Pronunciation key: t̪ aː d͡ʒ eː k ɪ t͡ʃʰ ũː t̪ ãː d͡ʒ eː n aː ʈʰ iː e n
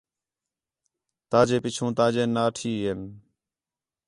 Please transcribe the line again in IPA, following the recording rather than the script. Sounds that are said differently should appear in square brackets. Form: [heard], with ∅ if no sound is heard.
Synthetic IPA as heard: t̪ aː d͡ʒ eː [p] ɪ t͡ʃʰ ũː t̪ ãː d͡ʒ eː n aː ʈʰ iː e n